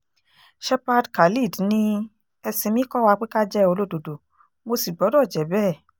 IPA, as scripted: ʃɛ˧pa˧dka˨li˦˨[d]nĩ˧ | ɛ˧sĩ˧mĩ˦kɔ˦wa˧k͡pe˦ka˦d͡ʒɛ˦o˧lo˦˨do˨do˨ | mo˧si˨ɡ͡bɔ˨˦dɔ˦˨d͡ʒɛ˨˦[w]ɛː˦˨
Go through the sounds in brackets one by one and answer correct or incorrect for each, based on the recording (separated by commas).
correct, incorrect